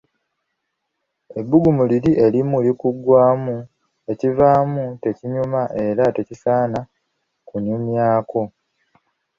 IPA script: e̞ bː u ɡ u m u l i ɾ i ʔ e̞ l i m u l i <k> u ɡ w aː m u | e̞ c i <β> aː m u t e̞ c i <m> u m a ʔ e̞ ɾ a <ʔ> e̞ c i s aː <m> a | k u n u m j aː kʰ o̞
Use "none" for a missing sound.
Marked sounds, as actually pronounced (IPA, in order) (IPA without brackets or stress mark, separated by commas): k, v, ɲ, t, n